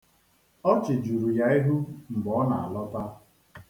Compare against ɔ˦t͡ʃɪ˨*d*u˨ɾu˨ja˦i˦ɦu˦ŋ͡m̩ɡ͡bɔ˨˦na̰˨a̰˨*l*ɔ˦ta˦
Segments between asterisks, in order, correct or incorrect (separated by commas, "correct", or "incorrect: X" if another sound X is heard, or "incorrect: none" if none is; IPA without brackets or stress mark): incorrect: d͡ʒ, correct